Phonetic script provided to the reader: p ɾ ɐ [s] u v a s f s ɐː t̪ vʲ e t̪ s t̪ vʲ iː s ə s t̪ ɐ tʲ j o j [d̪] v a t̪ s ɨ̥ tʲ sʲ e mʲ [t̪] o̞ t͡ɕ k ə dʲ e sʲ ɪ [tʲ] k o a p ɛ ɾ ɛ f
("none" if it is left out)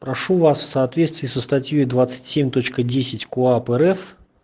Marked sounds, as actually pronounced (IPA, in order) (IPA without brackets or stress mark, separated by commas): ʂ, d̪, t̪, tʲ